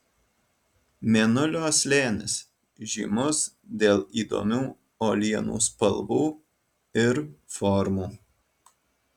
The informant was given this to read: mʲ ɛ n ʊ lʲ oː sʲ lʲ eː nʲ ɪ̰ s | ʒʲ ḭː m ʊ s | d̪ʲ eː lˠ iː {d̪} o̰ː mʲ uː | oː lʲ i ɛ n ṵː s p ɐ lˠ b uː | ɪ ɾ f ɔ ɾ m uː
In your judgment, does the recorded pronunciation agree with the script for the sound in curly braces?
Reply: yes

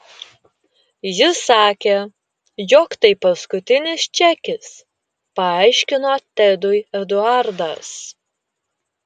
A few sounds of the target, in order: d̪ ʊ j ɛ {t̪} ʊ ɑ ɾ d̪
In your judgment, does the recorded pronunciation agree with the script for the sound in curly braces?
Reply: no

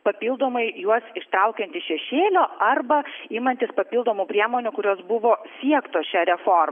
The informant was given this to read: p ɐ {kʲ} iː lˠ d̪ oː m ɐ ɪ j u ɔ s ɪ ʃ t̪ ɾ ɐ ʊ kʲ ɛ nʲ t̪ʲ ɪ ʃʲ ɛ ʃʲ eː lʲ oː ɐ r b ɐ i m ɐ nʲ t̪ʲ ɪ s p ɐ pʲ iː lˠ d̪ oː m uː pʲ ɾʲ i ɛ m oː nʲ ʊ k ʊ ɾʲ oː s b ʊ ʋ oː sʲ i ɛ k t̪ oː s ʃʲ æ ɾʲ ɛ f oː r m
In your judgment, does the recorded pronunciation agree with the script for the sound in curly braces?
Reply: no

